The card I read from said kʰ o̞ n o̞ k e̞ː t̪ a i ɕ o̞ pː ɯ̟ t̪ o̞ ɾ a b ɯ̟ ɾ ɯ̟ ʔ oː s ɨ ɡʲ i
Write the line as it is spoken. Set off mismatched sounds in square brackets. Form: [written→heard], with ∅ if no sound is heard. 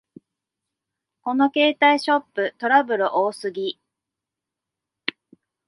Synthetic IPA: [kʰ→k] o̞ n o̞ k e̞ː t̪ a i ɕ o̞ pː ɯ̟ t̪ o̞ ɾ a b ɯ̟ ɾ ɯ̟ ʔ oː s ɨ ɡʲ i